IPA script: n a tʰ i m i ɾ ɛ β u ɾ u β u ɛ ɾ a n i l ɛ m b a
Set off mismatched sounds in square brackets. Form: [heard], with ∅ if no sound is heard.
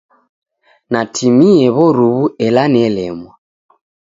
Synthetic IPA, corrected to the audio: n a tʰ i m i [∅] ɛ β [ɔ] ɾ u β u ɛ [l] a n [ɛ] l ɛ m [w] a